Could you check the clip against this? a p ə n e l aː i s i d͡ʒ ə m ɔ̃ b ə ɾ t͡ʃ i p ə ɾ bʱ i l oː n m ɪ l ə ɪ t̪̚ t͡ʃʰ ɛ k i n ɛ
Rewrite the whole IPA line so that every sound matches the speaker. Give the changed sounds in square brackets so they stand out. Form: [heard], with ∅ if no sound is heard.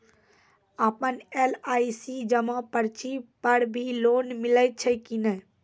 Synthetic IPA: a p ə n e l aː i s i d͡ʒ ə m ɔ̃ [p] ə ɾ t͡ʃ i p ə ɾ bʱ i l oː n m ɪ l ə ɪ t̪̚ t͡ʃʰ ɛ k i n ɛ